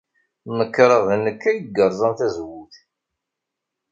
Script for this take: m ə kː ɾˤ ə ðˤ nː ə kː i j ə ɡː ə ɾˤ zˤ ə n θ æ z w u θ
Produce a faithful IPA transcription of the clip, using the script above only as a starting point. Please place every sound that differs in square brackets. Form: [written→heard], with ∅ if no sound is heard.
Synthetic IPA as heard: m ə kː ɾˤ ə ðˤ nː ə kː [i→æ] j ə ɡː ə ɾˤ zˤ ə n θ æ z w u θ